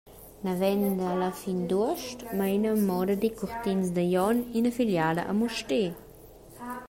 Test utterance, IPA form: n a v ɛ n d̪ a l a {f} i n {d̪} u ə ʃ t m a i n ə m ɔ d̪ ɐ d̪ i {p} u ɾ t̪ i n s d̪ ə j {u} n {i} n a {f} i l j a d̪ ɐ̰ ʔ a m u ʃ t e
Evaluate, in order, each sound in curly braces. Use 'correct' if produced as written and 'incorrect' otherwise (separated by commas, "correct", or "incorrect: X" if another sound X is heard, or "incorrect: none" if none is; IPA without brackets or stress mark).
correct, correct, incorrect: k, incorrect: ɔ, correct, correct